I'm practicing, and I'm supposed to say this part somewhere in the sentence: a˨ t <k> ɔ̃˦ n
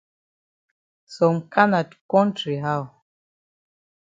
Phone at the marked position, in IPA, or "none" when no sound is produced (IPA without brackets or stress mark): k